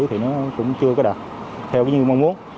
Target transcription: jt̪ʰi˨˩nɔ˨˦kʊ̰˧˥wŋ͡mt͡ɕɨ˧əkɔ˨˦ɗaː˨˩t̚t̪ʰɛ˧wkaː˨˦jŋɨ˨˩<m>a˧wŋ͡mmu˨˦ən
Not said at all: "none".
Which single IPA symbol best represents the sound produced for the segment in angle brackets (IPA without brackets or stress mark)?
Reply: m